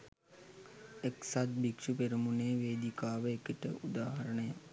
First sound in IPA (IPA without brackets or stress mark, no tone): e